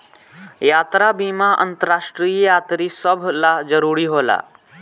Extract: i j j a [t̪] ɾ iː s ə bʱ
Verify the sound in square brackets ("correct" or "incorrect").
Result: correct